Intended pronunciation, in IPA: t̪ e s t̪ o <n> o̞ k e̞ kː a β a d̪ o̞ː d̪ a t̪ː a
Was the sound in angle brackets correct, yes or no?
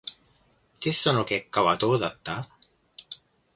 yes